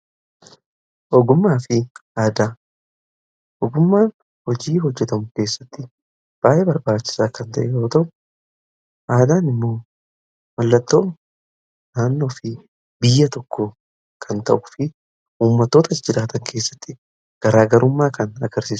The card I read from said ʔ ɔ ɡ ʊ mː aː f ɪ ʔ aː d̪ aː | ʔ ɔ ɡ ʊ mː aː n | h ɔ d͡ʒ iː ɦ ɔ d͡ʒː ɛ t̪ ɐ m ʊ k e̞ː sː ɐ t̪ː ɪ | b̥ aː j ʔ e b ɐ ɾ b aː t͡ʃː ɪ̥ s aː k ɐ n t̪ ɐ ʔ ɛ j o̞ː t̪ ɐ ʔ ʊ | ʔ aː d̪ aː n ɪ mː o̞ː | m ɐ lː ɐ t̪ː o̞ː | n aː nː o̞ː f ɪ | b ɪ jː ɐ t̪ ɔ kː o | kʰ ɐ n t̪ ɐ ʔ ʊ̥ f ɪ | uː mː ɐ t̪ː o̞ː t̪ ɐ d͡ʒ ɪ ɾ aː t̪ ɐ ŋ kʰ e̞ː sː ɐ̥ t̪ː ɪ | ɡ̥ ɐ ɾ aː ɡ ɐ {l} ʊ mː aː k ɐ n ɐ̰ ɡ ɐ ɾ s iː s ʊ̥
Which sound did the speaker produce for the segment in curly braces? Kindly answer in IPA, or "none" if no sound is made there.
ɾ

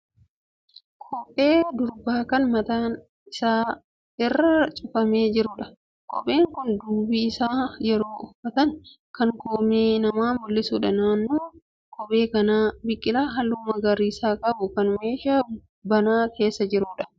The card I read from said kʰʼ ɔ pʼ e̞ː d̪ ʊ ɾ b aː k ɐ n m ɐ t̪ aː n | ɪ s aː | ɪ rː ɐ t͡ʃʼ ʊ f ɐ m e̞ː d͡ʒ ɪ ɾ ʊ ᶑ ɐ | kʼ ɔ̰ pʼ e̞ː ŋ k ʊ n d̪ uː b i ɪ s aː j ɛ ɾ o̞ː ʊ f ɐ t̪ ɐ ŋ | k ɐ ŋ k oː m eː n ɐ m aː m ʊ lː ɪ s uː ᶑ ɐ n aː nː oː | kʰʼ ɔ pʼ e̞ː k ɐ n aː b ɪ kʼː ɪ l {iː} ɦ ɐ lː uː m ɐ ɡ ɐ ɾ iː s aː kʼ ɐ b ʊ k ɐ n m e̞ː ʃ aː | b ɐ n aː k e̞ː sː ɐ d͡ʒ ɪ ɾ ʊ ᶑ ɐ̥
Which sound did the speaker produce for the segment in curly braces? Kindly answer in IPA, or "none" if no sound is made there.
aː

